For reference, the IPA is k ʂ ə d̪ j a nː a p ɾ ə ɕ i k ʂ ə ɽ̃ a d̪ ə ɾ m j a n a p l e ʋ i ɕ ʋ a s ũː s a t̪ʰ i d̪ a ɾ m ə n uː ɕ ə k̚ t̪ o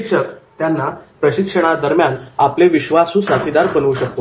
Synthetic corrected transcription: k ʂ ə t̪ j a nː a p ɾ ə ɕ i k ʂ ə ɽ̃ a d̪ ə ɾ m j a n a p l e ʋ i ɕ ʋ a s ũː s a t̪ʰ i d̪ a ɾ b ə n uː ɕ ə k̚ t̪ o